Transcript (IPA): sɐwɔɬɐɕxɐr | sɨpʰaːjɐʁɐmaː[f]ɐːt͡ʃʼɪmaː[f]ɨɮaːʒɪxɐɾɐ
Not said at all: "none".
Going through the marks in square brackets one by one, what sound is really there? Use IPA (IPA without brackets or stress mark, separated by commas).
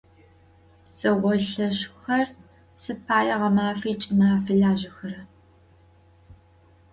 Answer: f, f